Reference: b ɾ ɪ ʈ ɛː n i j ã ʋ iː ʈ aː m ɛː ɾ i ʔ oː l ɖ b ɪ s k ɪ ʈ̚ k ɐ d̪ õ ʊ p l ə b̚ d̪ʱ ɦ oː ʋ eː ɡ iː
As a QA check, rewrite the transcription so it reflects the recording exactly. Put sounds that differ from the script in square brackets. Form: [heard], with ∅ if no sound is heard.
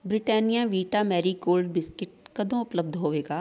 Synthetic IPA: b ɾ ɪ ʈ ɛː n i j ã ʋ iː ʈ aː m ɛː ɾ i [k] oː l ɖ b ɪ s k ɪ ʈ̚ k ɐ d̪ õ ʊ p l ə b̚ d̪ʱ ɦ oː ʋ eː ɡ [aː]